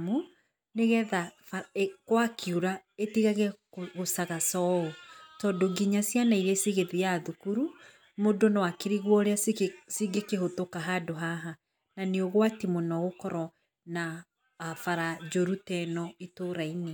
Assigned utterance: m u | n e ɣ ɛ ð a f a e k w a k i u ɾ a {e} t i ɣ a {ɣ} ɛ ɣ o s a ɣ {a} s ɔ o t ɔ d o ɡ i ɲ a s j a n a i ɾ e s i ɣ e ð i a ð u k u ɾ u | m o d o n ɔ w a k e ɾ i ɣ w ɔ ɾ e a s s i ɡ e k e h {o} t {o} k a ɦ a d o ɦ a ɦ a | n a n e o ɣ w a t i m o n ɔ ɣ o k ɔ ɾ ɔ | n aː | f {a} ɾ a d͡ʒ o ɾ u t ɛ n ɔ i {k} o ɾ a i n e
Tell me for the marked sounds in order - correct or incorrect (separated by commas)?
correct, correct, correct, correct, correct, correct, incorrect